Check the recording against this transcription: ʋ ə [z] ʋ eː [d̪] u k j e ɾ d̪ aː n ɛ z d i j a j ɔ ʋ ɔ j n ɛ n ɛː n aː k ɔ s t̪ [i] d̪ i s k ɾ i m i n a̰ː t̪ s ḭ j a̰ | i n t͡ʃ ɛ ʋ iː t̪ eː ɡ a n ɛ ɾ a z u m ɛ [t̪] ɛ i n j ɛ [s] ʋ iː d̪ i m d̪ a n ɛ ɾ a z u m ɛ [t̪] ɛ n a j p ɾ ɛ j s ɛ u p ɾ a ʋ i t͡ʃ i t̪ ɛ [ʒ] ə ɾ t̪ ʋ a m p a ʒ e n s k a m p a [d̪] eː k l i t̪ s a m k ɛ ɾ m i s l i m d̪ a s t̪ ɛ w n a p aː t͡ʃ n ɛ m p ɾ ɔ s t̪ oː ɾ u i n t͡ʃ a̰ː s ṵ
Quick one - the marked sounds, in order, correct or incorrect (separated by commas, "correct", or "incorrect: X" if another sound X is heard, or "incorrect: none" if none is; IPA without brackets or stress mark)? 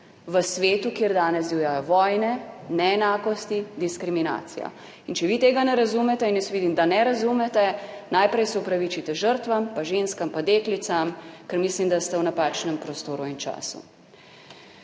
incorrect: s, incorrect: t̪, correct, correct, correct, correct, correct, correct